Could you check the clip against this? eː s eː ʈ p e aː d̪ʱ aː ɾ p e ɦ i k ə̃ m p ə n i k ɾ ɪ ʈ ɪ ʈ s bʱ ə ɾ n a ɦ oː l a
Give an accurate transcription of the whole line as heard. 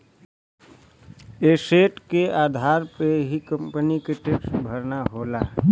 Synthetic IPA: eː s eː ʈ k e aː d̪ʱ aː ɾ p e ɦ i k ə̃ m p ə n i k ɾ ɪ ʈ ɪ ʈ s bʱ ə ɾ n a ɦ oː l a